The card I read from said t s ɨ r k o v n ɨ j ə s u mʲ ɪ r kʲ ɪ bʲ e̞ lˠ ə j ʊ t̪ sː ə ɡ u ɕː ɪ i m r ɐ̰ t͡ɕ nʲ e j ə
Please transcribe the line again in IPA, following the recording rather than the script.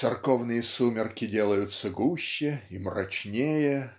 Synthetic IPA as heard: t s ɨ r k o v n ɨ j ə s u mʲ ɪ r kʲ ɪ dʲ e̞ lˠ ə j ʊ t̪ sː ə ɡ u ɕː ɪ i m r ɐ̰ t͡ɕ nʲ e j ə